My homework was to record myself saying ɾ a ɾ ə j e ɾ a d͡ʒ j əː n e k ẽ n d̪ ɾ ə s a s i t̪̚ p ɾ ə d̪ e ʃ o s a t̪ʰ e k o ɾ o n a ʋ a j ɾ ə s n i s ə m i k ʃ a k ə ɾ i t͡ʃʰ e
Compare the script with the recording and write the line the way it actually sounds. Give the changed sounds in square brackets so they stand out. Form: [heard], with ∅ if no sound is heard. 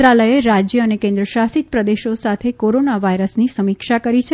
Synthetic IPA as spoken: ɾ a [l] ə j e ɾ a d͡ʒ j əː n e k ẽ n d̪ ɾ ə [ʃ] a s i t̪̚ p ɾ ə d̪ e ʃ o s a t̪ʰ e k o ɾ o n a ʋ a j ɾ ə s n i s ə m i k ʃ a k ə ɾ i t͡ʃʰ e